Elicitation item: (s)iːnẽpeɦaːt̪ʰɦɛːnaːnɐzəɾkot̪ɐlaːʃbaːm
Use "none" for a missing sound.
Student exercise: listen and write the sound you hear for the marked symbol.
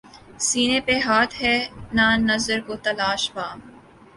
s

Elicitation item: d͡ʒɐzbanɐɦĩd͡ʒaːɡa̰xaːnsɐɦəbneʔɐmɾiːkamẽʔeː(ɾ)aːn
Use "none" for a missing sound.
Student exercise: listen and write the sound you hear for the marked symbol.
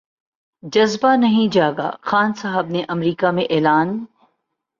l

